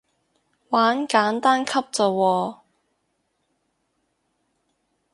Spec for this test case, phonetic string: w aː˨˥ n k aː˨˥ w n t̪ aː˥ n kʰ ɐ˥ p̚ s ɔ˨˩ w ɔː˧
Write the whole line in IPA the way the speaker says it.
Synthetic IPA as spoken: w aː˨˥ n k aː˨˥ n t̪ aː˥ n kʰ ɐ˥ p̚ t͡s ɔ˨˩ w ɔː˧